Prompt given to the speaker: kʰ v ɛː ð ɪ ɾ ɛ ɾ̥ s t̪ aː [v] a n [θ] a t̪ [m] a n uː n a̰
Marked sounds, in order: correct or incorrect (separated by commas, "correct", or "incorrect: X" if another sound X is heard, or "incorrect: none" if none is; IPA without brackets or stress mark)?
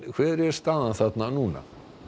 incorrect: ð, correct, incorrect: n